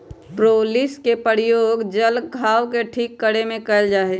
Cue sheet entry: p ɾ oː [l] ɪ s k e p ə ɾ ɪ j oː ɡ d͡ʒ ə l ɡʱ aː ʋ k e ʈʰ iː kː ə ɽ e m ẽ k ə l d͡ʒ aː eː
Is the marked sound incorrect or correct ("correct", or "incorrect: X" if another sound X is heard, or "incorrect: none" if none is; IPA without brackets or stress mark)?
correct